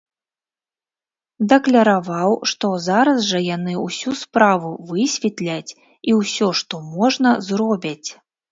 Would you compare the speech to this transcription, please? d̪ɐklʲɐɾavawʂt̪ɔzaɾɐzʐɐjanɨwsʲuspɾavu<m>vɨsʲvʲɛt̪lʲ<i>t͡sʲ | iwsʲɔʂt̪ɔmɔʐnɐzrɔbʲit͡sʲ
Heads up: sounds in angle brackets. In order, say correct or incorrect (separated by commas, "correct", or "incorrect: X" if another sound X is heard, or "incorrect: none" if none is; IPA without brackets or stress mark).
incorrect: none, incorrect: a